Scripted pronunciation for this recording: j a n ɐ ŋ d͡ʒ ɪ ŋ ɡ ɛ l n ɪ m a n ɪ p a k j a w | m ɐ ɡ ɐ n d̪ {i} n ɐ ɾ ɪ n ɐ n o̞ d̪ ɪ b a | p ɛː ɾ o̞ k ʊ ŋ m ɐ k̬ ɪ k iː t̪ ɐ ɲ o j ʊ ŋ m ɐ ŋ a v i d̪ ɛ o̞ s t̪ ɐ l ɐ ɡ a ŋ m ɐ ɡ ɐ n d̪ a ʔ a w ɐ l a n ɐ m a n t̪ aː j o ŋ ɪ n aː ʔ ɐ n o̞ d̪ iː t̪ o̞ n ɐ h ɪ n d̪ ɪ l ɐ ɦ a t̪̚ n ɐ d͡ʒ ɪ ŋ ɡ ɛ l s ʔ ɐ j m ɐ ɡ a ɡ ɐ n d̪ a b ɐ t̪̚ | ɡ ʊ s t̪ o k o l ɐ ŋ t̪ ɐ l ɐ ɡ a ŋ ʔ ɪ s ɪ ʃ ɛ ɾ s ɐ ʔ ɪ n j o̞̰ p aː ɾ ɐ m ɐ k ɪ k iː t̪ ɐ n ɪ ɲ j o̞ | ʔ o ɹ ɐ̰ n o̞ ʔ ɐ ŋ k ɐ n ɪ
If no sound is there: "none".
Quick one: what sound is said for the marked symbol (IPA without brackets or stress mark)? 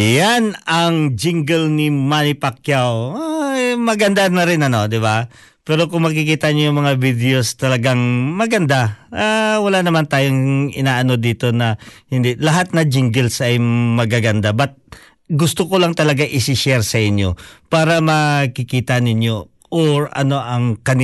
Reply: a